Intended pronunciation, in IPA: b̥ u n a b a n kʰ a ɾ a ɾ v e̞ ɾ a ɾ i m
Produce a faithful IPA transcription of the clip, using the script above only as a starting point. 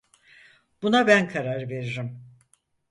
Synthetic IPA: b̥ u n a b æ n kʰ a ɾ a ɾ v e̞ ɾ i ɾ i m